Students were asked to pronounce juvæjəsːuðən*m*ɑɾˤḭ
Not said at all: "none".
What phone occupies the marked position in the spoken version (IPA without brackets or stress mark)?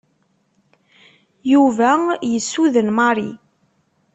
m